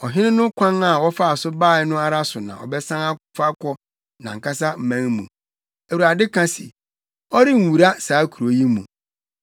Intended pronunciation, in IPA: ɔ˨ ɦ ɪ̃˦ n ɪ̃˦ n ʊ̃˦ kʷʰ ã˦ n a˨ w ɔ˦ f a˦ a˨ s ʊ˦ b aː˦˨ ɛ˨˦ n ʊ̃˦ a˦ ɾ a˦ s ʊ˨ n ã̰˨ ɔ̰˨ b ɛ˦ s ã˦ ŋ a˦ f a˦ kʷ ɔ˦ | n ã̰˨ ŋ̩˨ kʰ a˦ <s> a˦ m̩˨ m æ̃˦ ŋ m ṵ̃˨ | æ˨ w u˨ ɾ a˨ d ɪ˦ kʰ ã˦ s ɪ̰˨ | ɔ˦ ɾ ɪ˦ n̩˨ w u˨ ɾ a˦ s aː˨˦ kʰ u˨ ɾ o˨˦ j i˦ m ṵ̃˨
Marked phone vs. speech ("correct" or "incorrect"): correct